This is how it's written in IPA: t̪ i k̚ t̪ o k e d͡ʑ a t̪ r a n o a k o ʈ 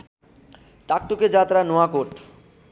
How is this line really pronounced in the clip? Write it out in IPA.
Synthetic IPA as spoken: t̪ a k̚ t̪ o k e d͡ʑ a t̪ ɾ a n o a k o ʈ